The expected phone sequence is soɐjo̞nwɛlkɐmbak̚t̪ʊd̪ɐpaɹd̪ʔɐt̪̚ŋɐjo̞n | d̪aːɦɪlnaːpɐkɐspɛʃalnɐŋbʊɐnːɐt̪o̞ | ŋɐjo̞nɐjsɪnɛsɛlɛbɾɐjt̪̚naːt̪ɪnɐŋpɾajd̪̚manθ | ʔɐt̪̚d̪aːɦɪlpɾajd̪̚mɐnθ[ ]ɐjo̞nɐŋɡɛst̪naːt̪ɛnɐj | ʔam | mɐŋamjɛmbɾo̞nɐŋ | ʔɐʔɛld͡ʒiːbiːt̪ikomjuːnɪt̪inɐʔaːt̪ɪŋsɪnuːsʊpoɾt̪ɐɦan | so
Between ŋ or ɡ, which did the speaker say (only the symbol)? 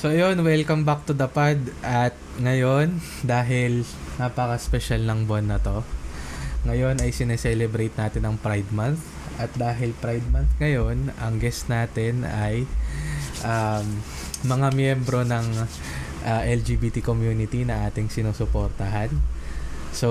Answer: ŋ